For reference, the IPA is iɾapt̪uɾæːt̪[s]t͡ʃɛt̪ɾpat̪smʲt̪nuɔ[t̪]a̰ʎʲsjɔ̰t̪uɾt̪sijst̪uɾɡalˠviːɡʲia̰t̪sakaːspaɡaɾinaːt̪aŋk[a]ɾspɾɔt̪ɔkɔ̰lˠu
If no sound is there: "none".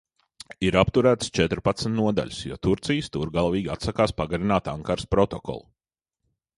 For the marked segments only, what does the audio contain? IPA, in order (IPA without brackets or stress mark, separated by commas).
s, d̪, a